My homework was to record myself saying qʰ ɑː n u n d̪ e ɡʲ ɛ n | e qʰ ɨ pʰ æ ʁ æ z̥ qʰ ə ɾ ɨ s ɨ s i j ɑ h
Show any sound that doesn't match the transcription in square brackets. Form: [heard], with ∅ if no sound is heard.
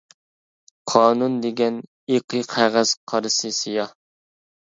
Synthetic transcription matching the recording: qʰ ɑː n u n d̪ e ɡʲ ɛ n | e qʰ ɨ [qʰ] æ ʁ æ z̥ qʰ [ɑ] ɾ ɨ s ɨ s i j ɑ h